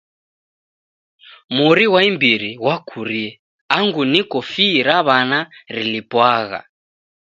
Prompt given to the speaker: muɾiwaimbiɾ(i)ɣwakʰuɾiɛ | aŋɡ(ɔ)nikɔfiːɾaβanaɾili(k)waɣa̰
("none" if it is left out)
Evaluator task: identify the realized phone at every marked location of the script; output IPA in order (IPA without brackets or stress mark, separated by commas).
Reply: i, u, p